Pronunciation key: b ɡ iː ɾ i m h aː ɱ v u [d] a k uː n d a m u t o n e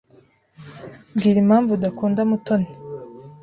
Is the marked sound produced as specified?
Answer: yes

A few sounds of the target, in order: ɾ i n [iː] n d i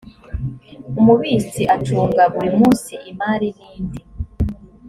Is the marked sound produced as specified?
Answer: yes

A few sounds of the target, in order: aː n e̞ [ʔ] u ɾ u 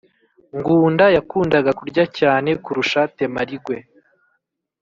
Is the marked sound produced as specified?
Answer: no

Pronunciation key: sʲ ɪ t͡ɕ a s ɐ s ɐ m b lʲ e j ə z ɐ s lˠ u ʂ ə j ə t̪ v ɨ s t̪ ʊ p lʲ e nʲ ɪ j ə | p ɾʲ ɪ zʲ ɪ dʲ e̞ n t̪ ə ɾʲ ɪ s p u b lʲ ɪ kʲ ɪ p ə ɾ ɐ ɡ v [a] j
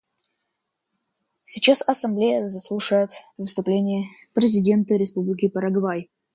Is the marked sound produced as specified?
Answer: yes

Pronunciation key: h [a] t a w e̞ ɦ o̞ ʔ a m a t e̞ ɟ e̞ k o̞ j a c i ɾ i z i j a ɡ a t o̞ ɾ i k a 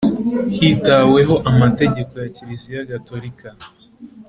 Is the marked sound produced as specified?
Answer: no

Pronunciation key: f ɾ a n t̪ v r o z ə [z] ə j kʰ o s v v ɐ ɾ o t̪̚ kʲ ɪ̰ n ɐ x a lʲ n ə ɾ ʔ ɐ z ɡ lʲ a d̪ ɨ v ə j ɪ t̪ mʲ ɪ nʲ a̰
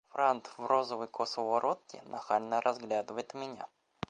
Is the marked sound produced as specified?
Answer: no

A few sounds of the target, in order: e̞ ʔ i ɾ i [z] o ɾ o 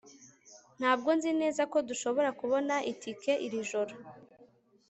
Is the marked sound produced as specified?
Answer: no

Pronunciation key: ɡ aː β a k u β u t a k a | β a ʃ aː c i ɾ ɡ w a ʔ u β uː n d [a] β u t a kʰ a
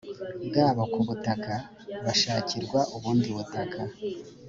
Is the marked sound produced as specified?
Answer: no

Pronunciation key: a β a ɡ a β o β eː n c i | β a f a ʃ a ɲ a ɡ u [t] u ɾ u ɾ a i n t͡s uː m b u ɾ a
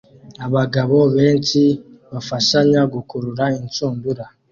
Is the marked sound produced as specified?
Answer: no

